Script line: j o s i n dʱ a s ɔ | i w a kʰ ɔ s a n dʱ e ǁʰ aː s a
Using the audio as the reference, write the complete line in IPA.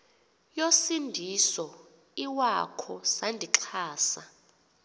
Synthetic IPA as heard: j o s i n dʱ i s ɔ | i w a kʰ ɔ s a n dʱ i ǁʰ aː s a